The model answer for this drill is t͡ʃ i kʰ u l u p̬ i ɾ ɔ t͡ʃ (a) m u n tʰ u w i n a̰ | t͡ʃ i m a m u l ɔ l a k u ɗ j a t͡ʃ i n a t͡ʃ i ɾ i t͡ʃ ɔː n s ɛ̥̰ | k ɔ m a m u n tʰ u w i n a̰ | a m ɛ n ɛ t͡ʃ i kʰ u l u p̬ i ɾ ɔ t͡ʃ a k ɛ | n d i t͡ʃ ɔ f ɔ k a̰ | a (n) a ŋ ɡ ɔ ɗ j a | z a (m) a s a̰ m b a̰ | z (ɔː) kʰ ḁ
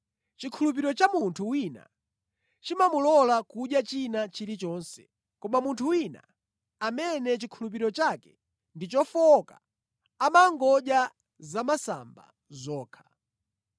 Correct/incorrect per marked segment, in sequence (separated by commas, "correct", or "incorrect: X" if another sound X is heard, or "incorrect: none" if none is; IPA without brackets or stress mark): correct, incorrect: m, correct, correct